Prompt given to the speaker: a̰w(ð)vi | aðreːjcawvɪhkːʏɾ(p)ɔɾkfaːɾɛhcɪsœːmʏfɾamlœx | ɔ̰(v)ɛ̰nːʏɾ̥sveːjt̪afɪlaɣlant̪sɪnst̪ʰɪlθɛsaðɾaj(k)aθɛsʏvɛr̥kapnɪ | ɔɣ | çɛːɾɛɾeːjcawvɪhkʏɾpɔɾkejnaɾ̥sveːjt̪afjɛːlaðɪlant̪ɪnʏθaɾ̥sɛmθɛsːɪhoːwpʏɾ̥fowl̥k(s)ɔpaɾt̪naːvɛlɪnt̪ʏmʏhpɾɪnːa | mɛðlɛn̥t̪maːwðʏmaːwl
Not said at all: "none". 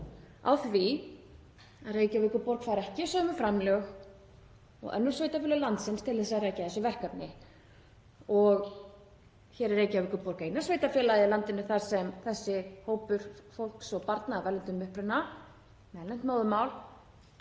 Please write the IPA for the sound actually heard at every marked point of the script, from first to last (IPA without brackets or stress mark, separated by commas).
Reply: θ, p, ɣ, c, s